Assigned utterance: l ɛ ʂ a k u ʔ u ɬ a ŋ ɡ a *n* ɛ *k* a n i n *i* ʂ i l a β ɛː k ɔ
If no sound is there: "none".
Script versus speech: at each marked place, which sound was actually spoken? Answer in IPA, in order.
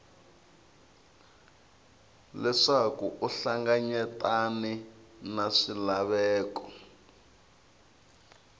ɲ, t, a

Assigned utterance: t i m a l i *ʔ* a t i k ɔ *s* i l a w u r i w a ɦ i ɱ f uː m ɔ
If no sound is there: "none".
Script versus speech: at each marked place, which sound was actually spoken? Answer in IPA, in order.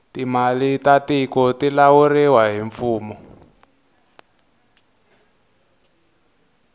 t, t

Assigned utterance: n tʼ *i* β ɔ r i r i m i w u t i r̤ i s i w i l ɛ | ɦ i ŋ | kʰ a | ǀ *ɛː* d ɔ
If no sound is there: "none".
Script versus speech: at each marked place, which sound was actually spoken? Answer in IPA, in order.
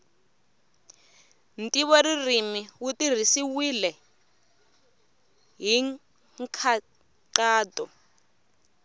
i, aː

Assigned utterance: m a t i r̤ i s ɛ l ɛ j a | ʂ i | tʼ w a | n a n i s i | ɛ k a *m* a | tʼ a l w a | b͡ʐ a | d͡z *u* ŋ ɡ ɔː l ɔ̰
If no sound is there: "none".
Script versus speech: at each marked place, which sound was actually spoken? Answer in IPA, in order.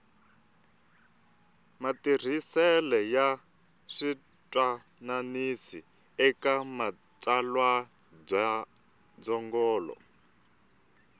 m, ɔ

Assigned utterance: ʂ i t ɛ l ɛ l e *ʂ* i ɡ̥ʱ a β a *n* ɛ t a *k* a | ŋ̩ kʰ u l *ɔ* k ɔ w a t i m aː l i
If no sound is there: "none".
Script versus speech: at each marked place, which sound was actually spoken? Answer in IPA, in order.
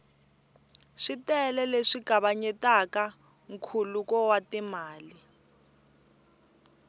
ʂ, ɲ, k, u

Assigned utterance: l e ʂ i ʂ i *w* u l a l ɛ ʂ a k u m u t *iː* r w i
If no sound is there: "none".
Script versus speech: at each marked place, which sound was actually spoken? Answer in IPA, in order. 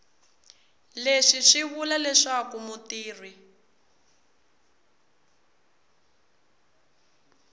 β, iː

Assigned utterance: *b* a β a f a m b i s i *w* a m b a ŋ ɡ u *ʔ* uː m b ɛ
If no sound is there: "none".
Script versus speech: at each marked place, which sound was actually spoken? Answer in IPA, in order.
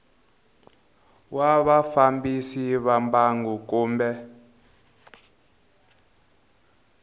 w, β, k

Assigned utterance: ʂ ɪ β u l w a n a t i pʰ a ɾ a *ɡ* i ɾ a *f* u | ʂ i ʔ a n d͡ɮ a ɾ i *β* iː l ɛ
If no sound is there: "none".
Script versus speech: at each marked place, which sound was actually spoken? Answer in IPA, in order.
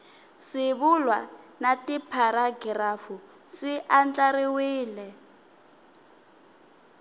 ɡ, f, w

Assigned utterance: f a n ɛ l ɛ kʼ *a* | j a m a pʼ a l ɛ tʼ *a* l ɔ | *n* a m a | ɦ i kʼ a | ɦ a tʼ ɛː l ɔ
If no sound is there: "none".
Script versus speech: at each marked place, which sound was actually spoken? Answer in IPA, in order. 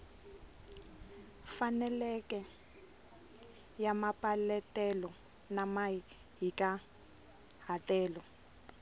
ɛ, ɛ, n

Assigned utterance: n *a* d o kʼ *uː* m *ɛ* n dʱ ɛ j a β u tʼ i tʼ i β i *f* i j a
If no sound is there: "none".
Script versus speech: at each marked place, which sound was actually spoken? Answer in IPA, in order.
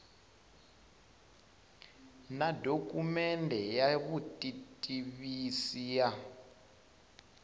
a, u, ɛ, s

